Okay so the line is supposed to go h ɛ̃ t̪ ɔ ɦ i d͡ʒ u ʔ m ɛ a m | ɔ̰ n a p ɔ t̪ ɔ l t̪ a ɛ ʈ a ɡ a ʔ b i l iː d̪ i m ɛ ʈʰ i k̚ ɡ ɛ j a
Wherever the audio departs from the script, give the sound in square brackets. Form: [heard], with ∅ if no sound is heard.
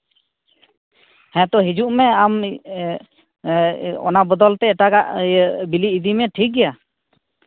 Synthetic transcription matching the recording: h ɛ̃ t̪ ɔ ɦ i d͡ʒ u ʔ m ɛ a m | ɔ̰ n a [b] ɔ [d̪] ɔ l t̪ [ɛ] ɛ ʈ a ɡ a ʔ b i l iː d̪ i m ɛ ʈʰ i k̚ ɡ ɛ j a